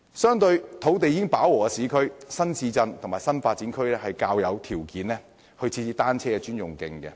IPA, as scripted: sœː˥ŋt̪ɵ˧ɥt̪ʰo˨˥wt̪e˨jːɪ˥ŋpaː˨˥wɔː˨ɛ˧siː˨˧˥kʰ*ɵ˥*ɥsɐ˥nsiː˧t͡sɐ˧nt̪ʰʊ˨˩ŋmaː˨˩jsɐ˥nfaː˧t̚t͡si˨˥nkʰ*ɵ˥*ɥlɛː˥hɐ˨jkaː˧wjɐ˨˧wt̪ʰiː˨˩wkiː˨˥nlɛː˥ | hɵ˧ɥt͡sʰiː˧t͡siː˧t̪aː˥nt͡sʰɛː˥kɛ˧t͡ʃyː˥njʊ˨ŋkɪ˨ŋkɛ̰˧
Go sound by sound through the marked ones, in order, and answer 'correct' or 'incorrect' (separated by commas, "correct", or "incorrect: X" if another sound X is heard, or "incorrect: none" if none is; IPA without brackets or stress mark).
correct, correct